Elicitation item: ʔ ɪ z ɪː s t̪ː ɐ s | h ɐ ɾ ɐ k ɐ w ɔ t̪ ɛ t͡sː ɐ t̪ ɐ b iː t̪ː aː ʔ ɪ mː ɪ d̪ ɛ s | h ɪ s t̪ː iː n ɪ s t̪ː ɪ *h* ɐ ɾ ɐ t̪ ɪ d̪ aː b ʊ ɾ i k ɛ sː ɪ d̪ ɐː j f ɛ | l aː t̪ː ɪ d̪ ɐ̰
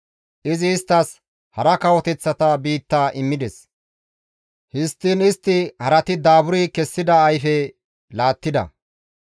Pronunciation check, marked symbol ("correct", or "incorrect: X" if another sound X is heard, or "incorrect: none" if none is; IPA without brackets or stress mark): correct